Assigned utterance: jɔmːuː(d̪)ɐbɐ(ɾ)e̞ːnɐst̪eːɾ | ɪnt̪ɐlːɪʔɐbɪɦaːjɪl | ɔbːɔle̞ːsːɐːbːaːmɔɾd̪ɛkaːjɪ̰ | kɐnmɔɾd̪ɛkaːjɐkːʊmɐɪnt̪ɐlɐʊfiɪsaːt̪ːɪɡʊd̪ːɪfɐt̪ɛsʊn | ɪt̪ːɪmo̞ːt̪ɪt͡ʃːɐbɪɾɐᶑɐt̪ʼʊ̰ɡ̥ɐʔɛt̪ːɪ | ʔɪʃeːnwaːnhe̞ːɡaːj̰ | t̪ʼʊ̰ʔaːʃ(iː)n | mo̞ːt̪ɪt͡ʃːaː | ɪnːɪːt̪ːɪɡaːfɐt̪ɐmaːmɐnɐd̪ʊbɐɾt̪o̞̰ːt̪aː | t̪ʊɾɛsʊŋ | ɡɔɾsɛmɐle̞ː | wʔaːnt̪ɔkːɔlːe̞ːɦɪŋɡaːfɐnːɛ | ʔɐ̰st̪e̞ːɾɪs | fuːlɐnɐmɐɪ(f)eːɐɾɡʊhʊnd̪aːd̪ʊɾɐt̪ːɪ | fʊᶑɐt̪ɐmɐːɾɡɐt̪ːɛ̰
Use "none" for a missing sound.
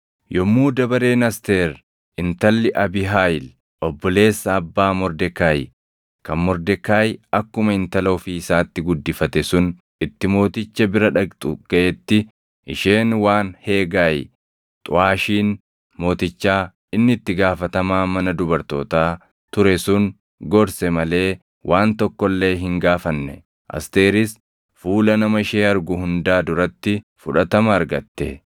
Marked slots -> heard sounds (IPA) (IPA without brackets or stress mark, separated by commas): d̪, ɾ, iː, ʃ